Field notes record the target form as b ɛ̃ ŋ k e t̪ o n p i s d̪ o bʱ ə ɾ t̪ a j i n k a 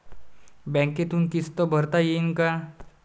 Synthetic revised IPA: b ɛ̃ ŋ k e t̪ u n k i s t̪ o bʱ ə ɾ t̪ a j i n k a